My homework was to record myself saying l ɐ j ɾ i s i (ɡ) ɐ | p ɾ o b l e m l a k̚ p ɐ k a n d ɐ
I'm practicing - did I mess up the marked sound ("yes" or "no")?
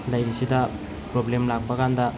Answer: yes